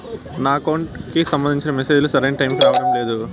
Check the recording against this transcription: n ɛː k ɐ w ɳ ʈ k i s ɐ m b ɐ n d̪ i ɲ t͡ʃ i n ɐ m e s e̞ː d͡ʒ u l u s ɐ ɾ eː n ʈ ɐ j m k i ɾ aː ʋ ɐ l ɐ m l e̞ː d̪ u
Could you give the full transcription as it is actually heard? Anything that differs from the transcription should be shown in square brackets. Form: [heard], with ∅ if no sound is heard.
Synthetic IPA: n [aː] k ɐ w ɳ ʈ k i s ɐ m b ɐ n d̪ i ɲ t͡ʃ i n ɐ m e s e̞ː d͡ʒ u l u s ɐ ɾ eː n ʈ ɐ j m k i ɾ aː ʋ ɐ [ɽ] ɐ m l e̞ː d̪ u